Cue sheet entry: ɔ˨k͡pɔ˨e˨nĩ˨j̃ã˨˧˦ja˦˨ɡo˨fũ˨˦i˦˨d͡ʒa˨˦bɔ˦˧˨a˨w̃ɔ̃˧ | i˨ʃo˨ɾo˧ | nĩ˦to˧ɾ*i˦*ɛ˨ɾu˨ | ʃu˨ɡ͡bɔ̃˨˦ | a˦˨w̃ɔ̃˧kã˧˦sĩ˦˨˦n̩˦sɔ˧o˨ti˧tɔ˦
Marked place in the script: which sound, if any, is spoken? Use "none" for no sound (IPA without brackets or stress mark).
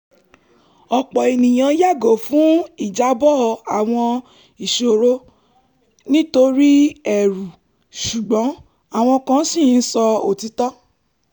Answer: i˦